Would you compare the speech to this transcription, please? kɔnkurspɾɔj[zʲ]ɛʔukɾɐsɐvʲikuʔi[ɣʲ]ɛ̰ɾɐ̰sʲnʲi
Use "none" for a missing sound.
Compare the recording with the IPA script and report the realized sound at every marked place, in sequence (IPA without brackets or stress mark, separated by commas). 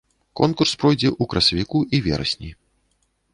d͡zʲ, vʲ